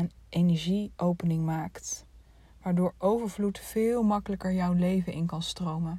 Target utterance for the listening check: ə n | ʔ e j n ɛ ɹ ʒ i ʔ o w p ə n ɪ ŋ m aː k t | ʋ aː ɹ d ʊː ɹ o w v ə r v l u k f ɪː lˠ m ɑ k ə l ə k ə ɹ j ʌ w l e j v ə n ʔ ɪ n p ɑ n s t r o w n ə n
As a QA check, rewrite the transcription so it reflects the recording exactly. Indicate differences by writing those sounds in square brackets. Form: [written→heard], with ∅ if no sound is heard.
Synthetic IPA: ə n | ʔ e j n ɛ ɹ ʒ i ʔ o w p ə n ɪ ŋ m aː k t | ʋ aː ɹ d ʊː ɹ o w v ə [r→ɹ] v l u [k→t] f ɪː lˠ m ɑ k ə l ə k ə ɹ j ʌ w l e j v ə n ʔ ɪ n [p→k] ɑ n s t r o w [n→m] ə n